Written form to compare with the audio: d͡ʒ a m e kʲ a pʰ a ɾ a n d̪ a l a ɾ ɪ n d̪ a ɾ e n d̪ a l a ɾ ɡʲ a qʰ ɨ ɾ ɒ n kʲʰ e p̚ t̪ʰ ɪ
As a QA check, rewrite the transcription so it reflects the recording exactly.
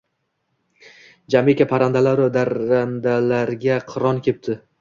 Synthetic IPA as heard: d͡ʒ a m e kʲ a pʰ a ɾ a n d̪ a l a ɾ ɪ d̪ a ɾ a n d̪ a l a ɾ ɡʲ a qʰ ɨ ɾ ɒ n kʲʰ e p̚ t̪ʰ ɪ